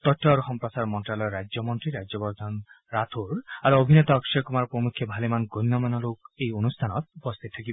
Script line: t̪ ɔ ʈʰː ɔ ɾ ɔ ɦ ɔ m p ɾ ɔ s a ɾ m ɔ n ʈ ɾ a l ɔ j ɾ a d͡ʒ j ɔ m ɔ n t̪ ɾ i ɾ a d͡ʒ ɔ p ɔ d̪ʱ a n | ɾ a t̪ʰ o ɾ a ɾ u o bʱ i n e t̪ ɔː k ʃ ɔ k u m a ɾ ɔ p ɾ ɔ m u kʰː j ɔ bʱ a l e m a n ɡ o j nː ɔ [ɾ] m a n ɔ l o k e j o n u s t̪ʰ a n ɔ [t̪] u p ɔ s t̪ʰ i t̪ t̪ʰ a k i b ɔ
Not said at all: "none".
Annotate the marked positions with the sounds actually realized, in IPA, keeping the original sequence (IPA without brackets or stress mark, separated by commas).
none, t̪